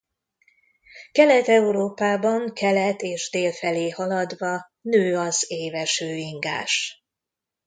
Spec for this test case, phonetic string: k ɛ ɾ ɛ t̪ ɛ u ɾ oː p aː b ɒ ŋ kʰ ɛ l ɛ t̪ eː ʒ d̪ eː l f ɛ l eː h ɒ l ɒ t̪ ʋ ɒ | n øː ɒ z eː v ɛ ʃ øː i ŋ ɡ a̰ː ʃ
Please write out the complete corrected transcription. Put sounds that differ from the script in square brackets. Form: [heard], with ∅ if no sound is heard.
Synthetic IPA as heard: k ɛ [l] ɛ t̪ ɛ u ɾ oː p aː b ɒ ŋ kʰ ɛ l ɛ t̪ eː ʒ d̪ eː l f ɛ l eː h ɒ l ɒ [d̪] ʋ ɒ | n øː ɒ z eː v ɛ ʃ øː i ŋ ɡ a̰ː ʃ